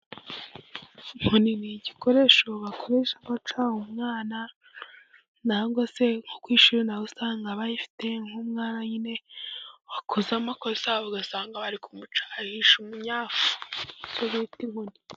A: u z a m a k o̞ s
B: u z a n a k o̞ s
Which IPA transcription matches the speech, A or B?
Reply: A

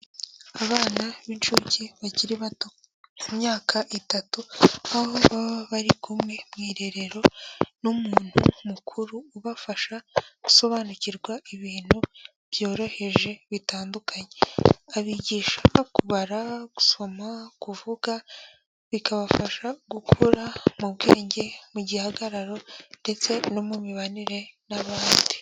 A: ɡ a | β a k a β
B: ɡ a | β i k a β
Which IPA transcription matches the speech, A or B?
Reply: B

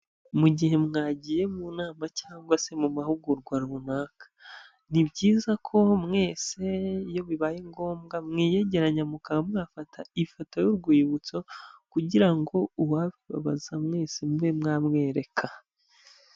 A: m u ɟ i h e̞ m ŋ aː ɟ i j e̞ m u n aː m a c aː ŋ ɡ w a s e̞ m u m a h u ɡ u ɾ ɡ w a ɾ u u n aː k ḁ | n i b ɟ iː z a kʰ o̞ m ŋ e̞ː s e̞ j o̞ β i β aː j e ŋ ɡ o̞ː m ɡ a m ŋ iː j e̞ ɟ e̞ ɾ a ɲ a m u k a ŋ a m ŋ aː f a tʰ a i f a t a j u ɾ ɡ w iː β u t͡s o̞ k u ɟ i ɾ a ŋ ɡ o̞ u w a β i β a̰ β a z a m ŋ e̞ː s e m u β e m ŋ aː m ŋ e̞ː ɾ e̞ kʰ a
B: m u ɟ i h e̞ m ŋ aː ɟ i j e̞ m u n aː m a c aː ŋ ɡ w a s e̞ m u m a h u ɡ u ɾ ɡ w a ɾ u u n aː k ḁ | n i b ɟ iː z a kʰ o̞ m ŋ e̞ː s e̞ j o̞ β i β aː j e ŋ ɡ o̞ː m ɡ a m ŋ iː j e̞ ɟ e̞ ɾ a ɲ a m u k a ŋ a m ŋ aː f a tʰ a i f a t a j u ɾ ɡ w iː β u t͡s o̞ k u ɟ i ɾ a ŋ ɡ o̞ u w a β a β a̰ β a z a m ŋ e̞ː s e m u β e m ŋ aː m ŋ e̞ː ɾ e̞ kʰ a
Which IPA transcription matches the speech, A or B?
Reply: A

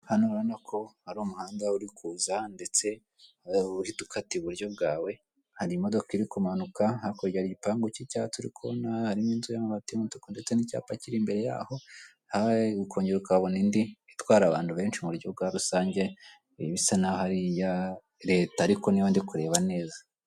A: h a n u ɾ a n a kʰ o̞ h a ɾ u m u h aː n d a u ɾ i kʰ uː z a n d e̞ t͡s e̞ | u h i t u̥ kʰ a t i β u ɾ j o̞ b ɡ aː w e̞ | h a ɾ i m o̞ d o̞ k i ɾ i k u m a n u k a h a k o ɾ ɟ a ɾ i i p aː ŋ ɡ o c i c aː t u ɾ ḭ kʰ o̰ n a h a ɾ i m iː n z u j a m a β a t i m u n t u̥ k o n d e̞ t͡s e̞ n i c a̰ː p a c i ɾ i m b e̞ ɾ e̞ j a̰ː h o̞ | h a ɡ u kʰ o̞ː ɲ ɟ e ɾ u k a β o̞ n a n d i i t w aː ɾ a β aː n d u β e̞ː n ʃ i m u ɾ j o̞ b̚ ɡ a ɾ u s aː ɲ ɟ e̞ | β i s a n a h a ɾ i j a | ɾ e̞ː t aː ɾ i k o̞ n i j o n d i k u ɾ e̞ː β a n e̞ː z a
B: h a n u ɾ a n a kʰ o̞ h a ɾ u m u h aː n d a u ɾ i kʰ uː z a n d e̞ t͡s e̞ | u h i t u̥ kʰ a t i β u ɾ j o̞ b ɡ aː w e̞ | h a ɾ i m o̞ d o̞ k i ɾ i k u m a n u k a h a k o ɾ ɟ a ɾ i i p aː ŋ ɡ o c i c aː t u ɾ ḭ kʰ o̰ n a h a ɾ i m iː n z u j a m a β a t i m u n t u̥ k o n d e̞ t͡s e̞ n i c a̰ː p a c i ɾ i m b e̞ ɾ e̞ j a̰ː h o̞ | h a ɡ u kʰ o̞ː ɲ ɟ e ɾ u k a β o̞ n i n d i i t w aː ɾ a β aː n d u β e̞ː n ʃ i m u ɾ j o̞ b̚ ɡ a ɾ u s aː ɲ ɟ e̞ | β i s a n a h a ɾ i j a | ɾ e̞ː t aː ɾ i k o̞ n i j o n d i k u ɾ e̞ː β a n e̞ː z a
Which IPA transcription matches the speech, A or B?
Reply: B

